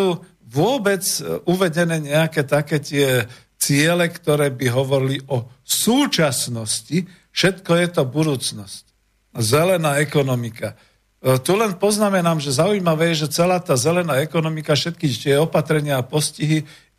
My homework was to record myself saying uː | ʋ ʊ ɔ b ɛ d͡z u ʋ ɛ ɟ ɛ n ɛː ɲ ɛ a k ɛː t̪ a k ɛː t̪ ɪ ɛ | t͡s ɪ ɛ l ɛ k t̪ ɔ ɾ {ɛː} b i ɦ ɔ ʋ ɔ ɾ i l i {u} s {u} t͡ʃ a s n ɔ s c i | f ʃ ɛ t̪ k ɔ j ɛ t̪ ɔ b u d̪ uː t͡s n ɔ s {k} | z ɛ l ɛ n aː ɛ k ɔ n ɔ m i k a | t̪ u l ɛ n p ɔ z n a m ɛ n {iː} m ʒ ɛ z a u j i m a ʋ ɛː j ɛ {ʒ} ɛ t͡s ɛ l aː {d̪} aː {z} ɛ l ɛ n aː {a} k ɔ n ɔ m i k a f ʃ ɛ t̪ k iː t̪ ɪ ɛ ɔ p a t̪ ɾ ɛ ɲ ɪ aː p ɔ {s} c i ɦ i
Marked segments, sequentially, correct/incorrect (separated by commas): correct, incorrect, incorrect, incorrect, incorrect, correct, incorrect, correct, incorrect, correct